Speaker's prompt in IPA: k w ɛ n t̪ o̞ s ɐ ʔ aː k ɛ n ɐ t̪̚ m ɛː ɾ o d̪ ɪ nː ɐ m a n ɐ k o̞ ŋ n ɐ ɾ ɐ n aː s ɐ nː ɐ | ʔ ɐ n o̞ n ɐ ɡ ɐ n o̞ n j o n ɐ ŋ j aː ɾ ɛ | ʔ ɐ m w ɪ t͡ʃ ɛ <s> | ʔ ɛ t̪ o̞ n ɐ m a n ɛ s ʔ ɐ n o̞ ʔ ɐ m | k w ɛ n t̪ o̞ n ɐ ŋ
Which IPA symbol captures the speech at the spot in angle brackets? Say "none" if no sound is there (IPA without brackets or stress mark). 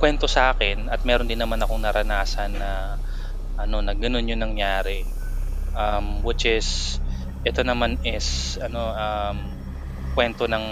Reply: s